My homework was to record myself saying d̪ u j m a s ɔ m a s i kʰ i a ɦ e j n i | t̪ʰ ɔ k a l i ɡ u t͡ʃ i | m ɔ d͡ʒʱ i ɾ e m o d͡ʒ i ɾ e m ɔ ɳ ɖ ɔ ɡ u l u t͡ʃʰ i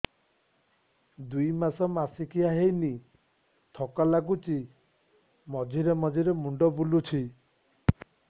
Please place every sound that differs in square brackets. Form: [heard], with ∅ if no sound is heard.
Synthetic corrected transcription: d̪ u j m a s ɔ m a s i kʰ i a ɦ e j n i | t̪ʰ ɔ k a l [a] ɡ u t͡ʃ i | m ɔ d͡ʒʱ i ɾ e m [ɔ] d͡ʒ i ɾ e m [u] ɳ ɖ ɔ [b] u l u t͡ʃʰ i